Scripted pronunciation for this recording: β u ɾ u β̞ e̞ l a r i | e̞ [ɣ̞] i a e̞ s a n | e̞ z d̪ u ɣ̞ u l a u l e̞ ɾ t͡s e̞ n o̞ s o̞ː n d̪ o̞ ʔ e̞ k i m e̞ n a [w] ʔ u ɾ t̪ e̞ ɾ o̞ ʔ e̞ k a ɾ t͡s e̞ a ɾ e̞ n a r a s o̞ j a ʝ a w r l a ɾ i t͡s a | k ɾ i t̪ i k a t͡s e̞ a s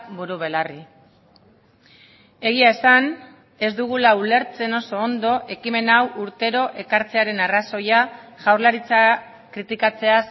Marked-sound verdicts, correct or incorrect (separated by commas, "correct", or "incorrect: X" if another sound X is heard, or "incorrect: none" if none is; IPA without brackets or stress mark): correct, correct